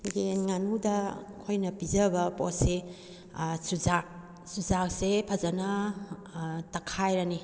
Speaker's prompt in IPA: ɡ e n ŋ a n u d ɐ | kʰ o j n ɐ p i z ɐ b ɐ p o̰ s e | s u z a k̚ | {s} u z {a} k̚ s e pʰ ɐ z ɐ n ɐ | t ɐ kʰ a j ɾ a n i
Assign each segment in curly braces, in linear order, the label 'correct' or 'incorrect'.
correct, correct

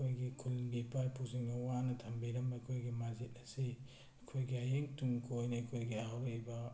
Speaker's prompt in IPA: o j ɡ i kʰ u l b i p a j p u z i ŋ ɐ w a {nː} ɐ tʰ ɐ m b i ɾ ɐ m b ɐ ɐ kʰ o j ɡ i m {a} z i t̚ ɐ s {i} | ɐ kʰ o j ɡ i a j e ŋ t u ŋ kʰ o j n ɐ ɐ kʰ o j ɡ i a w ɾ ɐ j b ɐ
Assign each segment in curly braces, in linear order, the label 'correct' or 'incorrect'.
incorrect, correct, correct

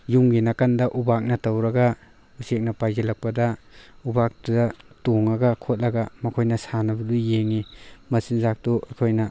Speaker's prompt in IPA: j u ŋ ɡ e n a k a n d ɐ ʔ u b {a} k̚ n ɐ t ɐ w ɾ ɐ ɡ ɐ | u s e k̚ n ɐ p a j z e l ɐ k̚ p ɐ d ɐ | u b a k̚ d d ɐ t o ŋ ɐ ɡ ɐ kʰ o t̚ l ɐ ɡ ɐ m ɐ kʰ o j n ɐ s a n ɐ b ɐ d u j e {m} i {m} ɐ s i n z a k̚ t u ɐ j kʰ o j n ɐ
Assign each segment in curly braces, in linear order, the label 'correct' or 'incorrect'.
correct, incorrect, correct

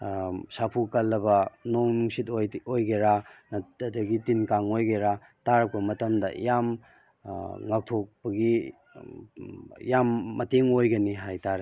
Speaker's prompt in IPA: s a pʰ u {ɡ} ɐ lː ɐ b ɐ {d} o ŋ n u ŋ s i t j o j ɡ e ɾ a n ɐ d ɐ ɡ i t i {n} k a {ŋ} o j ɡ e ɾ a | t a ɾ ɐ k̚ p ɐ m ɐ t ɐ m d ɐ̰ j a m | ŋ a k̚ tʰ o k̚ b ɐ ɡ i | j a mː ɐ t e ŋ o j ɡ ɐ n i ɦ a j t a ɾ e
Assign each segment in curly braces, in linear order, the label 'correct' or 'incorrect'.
incorrect, incorrect, correct, correct

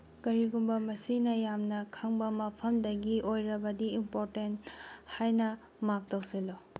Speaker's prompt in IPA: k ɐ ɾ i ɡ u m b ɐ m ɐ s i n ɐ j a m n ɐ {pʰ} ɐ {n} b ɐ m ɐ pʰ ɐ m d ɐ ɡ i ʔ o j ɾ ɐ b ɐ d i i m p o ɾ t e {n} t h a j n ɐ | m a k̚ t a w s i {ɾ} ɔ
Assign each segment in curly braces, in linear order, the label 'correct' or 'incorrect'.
incorrect, incorrect, correct, incorrect

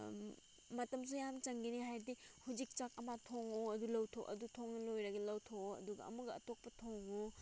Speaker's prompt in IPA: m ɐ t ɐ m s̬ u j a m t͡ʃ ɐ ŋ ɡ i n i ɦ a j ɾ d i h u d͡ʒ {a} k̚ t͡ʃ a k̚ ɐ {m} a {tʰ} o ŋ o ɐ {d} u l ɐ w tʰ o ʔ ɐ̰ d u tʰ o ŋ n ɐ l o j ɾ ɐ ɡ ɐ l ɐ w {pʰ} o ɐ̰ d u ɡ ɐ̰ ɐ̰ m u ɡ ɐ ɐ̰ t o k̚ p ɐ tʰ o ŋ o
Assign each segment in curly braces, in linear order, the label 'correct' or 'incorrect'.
incorrect, correct, correct, correct, incorrect

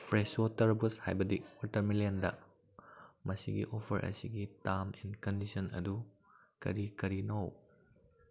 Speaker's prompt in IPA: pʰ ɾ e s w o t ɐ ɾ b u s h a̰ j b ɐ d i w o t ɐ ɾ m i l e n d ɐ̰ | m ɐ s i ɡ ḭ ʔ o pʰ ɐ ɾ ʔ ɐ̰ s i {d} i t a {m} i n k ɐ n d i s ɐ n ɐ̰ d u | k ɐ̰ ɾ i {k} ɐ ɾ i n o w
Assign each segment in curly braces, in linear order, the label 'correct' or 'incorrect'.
incorrect, correct, correct

